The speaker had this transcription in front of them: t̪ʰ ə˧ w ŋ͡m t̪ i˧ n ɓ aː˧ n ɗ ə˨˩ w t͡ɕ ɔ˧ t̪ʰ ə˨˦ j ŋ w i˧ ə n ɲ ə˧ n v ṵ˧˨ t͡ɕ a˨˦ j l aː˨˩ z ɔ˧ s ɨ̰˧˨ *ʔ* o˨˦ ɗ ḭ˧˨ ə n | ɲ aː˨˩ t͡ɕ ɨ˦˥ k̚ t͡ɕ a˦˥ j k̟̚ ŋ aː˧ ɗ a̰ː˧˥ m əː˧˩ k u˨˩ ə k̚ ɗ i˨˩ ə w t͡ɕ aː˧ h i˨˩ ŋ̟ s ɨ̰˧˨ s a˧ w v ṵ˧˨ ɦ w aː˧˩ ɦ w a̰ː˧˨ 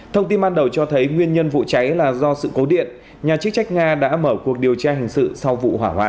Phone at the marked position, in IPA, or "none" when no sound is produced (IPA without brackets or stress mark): k